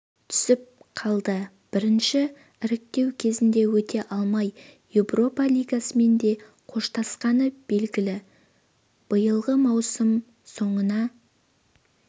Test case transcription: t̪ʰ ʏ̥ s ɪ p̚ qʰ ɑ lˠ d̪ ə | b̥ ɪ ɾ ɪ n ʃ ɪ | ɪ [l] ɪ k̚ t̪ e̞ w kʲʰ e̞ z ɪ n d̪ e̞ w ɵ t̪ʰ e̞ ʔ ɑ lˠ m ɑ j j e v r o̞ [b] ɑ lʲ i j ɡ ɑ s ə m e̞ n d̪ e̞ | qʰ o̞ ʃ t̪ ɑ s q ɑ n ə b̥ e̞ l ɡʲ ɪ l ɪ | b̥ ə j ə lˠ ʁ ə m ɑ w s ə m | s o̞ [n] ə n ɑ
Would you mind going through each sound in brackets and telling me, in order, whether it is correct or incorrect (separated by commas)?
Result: incorrect, incorrect, incorrect